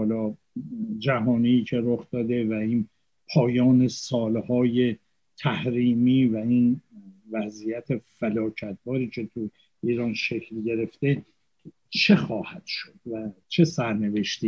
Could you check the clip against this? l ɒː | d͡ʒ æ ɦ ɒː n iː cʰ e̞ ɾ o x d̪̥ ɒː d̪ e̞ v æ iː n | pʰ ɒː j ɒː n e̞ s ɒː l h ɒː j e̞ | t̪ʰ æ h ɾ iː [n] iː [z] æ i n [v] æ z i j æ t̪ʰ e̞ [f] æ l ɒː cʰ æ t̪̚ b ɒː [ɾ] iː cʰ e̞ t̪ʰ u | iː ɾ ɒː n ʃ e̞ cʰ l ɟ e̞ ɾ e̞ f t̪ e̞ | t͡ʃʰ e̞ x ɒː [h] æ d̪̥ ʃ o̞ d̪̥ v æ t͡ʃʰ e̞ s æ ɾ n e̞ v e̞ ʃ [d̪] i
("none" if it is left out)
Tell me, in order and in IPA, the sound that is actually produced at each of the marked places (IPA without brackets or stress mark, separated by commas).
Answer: m, v, v, f, ɾ, h, t̪